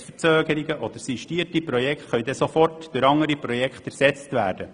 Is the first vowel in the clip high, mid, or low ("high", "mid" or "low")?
mid